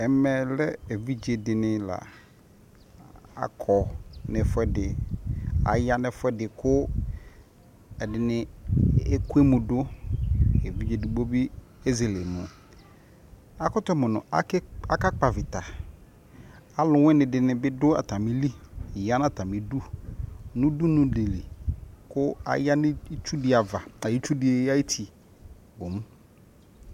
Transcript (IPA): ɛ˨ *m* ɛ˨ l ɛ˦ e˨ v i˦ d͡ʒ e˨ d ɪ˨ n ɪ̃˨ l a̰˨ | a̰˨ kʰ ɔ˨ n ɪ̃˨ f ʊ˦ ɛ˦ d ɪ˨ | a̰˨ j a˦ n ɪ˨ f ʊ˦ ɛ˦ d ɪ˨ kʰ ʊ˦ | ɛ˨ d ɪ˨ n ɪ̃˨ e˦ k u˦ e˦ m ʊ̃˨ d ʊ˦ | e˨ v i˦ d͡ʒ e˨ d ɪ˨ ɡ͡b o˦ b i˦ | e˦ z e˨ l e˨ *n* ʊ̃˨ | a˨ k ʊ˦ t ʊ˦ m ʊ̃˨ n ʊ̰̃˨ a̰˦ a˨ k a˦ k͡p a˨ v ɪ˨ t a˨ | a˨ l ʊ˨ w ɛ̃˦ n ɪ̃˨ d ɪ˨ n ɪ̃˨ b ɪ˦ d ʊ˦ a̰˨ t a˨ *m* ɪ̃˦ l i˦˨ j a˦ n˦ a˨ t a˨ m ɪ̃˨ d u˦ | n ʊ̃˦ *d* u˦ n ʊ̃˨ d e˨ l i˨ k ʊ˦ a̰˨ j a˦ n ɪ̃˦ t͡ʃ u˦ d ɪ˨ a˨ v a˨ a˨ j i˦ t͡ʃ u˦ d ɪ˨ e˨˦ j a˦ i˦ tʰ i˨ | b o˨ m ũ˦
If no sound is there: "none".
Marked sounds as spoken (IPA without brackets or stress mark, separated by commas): m, m, m, d